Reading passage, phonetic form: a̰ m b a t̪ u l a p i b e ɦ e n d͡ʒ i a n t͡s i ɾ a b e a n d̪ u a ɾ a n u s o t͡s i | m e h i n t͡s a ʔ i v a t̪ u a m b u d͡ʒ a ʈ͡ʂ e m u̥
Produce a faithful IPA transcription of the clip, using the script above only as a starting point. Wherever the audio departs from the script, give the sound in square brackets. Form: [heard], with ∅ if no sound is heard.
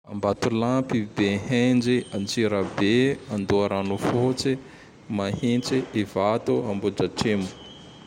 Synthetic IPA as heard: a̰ m b a t̪ u l a p i b e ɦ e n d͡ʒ i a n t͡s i ɾ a b e a n d̪ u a ɾ a n u [f] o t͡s i | m [a] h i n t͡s [i] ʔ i v a t̪ u a m b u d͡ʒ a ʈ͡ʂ e m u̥